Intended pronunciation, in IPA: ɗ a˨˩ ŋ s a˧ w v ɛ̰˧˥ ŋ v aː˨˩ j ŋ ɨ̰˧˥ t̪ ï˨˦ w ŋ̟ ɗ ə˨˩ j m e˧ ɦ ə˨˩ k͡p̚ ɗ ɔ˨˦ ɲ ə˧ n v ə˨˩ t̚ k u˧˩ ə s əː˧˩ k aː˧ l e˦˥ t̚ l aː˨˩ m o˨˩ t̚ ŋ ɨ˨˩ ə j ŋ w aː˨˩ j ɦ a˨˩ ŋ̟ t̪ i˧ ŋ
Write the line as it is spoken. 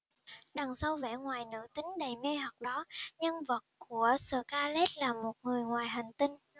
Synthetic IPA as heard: ɗ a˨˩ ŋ s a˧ w v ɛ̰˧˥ ŋ w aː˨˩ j n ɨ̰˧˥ t̪ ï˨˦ ŋ̟ ɗ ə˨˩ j m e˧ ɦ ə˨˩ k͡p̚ ɗ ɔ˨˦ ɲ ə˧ n v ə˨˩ t̚ k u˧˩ ə s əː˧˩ k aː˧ l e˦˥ t̚ l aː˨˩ m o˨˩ t̚ ŋ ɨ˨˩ ə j ŋ w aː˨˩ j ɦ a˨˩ ŋ̟ t̪ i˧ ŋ